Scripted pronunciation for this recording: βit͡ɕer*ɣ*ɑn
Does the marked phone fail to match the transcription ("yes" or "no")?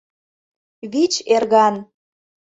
no